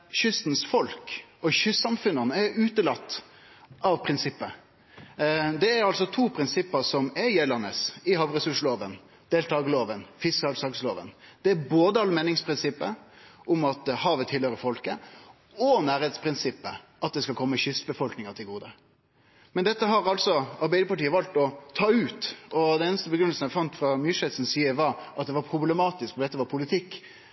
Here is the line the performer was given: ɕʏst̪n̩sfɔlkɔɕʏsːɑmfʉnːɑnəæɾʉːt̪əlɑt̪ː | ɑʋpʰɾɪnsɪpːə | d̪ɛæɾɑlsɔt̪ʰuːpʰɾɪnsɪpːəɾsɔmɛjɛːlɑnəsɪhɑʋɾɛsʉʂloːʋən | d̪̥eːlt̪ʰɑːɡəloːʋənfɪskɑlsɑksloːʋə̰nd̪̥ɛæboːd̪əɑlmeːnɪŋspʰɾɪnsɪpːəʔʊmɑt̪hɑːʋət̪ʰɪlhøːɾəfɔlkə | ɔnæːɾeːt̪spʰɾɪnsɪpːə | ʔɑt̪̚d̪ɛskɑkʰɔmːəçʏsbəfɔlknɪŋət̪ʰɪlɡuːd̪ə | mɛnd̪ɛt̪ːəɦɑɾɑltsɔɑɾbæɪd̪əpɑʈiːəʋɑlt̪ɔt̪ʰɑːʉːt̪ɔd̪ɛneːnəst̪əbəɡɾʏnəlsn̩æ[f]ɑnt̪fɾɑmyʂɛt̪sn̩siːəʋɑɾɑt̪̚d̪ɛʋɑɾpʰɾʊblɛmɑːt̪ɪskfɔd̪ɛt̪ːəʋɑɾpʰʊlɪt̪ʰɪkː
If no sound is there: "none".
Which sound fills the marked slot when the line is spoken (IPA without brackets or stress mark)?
f